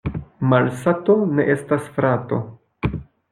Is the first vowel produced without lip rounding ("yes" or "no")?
yes